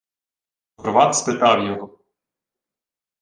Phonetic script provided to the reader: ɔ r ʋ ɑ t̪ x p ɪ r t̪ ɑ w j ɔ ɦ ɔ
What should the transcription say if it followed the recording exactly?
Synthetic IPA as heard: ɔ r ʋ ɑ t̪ s p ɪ t̪ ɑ w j ɔ ɦ ɔ